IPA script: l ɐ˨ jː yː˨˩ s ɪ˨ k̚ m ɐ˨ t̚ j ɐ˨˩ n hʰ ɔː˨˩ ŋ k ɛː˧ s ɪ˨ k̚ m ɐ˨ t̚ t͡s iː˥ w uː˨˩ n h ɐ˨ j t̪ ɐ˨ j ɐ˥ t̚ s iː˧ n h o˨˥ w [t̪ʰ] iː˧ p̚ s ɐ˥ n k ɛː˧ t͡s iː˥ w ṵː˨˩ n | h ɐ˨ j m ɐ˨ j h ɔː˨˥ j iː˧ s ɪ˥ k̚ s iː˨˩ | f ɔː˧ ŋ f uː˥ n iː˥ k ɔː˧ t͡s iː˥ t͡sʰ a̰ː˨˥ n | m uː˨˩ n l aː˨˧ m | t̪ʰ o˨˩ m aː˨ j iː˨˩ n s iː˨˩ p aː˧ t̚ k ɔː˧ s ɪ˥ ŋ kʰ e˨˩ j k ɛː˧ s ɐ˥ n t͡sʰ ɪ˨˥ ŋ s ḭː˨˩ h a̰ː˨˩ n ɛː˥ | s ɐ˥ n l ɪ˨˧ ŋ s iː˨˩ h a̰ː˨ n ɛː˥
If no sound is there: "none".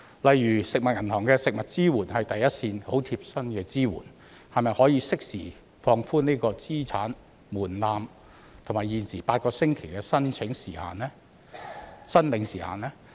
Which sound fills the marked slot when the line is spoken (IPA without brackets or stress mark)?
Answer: t̪ʰ